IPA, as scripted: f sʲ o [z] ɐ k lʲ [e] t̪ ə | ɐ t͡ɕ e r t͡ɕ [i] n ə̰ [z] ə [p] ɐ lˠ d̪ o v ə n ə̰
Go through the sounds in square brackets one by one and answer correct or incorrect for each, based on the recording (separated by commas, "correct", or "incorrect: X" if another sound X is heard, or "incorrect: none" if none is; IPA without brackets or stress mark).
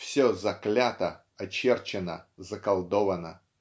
correct, incorrect: a, incorrect: ɪ, correct, incorrect: k